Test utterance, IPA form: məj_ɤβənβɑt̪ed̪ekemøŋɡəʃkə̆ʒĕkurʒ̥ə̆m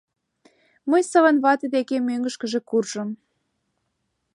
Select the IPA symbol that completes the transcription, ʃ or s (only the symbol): s